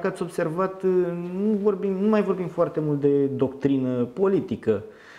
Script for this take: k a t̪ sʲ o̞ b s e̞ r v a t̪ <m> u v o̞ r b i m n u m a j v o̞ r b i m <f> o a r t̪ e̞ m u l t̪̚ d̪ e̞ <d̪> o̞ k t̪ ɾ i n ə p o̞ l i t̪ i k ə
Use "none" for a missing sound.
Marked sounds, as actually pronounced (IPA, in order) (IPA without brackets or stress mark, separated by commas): n, f, d̪